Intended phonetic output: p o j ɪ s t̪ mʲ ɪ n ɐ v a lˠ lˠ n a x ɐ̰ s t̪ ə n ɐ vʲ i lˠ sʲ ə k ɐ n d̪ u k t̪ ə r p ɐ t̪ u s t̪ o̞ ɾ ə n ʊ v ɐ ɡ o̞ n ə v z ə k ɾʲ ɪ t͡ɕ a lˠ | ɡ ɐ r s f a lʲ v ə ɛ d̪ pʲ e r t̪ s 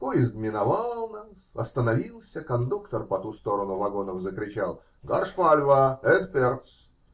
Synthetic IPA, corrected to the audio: p o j ɪ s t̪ mʲ ɪ n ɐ v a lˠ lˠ n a s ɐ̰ s t̪ ə n ɐ vʲ i lˠ sʲ ə k ɐ n d̪ u k t̪ ə r p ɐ t̪ u s t̪ o̞ ɾ ə n ʊ v ɐ ɡ o̞ n ə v z ə k ɾʲ ɪ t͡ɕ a lˠ | ɡ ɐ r ʂ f a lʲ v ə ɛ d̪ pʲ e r t̪ s